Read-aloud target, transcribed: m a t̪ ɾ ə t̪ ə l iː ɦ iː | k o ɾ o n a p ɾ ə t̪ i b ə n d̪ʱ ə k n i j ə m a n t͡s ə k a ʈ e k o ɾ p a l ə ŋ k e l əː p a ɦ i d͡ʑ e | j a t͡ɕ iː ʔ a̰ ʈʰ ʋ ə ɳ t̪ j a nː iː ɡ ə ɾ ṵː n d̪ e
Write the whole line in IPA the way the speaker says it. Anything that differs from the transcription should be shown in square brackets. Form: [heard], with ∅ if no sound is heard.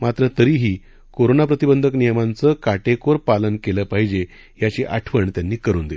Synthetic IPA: m a t̪ ɾ ə t̪ ə [ɾ] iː ɦ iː | k o ɾ o n a p ɾ ə t̪ i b ə n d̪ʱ ə k n i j ə m a n t͡s ə k a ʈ e k o ɾ p a l ə [n] k e l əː p a ɦ i d͡ʑ e | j a t͡ɕ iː ʔ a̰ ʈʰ ʋ ə ɳ t̪ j a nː iː [k] ə ɾ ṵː n d̪ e